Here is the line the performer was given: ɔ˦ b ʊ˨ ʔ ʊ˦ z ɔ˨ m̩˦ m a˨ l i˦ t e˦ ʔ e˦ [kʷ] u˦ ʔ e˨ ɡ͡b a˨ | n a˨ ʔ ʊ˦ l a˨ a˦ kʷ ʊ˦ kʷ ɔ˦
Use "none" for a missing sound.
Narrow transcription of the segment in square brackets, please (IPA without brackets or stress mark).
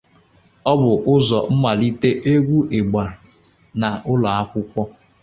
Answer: ɡʷ